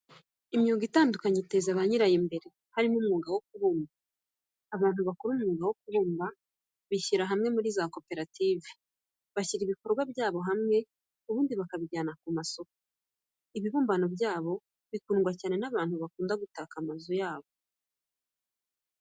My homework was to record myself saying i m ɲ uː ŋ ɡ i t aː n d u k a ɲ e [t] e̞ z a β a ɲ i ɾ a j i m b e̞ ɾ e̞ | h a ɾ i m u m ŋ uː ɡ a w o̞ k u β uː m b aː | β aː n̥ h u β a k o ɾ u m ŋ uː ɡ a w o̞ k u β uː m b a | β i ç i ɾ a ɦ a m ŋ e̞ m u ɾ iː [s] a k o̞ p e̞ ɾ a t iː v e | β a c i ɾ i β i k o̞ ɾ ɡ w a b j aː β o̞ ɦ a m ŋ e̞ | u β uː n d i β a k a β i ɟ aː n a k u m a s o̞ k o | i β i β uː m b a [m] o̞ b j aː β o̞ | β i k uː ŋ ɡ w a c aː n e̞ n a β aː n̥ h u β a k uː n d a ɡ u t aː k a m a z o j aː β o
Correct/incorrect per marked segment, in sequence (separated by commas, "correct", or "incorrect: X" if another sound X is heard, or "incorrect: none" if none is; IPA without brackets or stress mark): correct, incorrect: z, incorrect: n